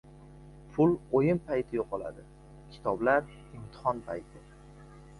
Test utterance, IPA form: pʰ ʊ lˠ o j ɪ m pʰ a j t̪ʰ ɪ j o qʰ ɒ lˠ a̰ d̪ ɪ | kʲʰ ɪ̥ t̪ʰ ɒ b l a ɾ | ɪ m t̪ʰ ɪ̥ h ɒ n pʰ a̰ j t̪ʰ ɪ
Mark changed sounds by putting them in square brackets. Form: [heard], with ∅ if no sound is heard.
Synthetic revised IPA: pʰ ʊ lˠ o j ɪ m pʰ a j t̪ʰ ɪ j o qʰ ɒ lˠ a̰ d̪ ɪ | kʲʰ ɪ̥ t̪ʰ ɒ b l a ɾ | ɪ m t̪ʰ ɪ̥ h ɒ n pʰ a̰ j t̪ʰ ɪ

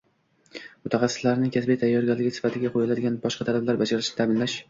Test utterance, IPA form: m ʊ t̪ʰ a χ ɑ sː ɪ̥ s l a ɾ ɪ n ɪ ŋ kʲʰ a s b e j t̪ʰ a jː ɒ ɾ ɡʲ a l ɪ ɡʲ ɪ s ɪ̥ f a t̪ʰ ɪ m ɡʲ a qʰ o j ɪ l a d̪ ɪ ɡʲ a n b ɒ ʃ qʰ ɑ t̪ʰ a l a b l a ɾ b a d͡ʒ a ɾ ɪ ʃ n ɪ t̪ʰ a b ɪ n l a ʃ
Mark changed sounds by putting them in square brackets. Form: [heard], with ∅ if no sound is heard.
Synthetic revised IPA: m ʊ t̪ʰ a χ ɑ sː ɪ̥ s l a ɾ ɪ n ɪ ŋ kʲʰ a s b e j t̪ʰ a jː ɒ ɾ ɡʲ a l ɪ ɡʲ ɪ s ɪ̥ f a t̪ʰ ɪ [∅] ɡʲ a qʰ o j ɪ l a d̪ ɪ ɡʲ a n b ɒ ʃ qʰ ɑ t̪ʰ a l a b l a ɾ b a d͡ʒ a ɾ ɪ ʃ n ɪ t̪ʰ a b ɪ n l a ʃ

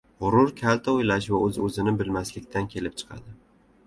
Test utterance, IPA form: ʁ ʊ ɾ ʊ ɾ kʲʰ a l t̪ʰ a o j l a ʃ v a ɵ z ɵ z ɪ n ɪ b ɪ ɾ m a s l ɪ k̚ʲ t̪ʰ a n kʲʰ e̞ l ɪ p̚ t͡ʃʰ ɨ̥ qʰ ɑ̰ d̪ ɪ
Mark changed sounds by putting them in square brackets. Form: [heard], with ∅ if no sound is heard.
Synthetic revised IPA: ʁ ʊ ɾ ʊ ɾ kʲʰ a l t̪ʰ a o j l a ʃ v a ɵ z ɵ z ɪ n ɪ b ɪ [l] m a s l ɪ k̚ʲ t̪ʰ a n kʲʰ e̞ l ɪ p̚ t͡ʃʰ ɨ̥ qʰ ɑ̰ d̪ ɪ

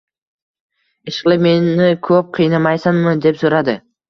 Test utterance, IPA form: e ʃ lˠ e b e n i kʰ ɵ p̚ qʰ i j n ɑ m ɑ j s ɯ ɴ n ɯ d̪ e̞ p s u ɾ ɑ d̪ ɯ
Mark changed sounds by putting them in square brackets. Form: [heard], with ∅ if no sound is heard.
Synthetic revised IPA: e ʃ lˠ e [m] e n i kʰ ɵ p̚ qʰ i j n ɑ m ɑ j s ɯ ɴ [m] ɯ d̪ e̞ p s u ɾ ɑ d̪ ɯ

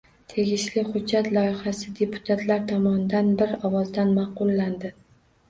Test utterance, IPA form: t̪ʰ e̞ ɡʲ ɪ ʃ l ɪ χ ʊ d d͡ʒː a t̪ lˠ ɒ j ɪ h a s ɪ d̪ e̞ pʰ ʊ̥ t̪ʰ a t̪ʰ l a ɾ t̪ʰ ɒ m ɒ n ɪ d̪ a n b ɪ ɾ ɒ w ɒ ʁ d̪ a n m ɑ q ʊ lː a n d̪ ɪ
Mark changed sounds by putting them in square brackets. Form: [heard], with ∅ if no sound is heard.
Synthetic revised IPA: t̪ʰ e̞ ɡʲ ɪ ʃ l ɪ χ ʊ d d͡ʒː a t̪ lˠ ɒ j ɪ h a s ɪ d̪ e̞ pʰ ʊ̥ t̪ʰ a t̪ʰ l a ɾ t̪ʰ ɒ m ɒ n ɪ d̪ a n b ɪ ɾ ɒ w ɒ [z] d̪ a n m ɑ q ʊ lː a n d̪ ɪ

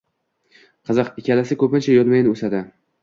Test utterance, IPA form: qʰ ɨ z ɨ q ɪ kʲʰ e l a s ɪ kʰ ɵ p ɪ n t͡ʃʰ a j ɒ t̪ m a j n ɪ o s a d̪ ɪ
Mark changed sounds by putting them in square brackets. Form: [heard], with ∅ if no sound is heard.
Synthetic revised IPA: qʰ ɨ z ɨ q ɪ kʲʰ [a] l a s ɪ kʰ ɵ p ɪ n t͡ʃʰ a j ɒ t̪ m a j n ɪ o s a d̪ ɪ

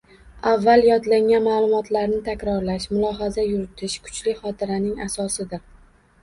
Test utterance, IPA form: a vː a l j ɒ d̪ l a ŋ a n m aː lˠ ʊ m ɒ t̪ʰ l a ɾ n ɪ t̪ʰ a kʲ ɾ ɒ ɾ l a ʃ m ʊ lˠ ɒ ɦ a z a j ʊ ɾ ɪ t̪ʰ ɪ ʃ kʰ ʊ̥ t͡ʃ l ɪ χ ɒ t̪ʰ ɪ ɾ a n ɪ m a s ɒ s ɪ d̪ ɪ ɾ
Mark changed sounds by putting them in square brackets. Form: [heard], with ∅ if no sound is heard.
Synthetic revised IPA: a vː a l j ɒ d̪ l a ŋ a n m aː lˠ ʊ m ɒ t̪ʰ l a ɾ n ɪ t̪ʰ a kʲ ɾ ɒ ɾ l a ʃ m ʊ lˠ ɒ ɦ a z a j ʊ ɾ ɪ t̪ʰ ɪ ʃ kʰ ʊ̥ t͡ʃ l ɪ χ ɒ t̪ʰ ɪ ɾ a n ɪ [ŋ] a s ɒ s ɪ d̪ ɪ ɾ

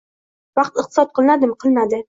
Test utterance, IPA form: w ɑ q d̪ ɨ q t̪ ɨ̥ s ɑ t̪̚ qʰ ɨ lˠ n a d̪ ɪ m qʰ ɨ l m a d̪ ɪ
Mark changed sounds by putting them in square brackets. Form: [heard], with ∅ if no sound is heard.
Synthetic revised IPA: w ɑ q [t̪] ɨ q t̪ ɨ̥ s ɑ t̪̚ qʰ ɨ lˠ n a d̪ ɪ m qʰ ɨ l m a d̪ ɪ

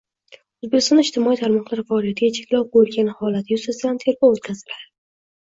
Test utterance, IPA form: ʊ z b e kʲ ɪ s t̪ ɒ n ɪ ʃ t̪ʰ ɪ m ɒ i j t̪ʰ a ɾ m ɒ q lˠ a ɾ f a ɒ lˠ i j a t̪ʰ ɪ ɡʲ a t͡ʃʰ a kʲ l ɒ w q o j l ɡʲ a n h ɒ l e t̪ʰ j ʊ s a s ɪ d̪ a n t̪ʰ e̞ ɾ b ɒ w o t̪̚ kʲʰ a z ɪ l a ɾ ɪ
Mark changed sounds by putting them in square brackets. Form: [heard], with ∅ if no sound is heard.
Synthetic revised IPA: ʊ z b e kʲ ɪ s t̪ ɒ n ɪ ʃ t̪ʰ ɪ m ɒ i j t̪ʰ a ɾ m ɒ q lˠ a ɾ f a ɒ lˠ i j a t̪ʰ ɪ ɡʲ a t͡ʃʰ [e] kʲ l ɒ w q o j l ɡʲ a n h ɒ l [a] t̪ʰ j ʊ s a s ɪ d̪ a n t̪ʰ e̞ ɾ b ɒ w o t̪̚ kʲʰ a z ɪ l a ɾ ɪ

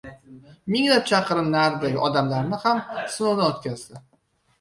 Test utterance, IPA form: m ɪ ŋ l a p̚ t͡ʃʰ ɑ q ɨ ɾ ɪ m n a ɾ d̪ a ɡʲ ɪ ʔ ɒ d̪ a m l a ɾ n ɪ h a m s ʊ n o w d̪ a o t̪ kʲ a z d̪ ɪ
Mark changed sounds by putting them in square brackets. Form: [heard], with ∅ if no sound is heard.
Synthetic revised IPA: m ɪ ŋ l a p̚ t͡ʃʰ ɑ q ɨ ɾ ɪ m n a ɾ d̪ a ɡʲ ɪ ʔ ɒ d̪ a m l a ɾ n ɪ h a m s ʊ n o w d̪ a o t̪ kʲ a z d̪ ɪ

